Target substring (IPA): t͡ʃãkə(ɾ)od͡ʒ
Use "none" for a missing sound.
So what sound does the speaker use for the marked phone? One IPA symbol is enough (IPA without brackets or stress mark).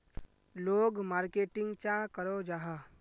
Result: ɾ